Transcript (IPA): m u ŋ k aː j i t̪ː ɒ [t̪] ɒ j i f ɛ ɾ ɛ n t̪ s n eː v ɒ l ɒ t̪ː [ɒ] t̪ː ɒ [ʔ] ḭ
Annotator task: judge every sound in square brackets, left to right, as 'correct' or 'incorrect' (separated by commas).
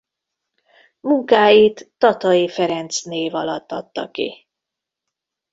correct, correct, incorrect